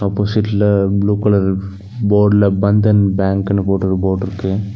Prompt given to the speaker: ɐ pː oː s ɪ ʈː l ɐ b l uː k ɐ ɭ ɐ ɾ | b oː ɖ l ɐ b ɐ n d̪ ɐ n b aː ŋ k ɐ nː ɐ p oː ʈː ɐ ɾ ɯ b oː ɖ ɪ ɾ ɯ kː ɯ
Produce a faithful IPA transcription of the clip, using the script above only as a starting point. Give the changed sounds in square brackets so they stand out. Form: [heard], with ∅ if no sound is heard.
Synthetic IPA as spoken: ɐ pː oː s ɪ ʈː l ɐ b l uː k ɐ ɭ ɐ ɾ | b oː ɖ l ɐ b ɐ n d̪ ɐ n b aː ŋ k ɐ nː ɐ p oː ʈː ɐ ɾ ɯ b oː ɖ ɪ ɾ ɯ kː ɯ